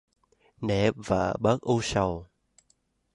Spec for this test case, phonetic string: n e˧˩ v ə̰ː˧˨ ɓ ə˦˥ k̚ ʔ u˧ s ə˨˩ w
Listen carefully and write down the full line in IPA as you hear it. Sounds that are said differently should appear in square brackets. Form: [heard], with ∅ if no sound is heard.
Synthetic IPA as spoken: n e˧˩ v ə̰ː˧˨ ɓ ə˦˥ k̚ ʔ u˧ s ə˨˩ w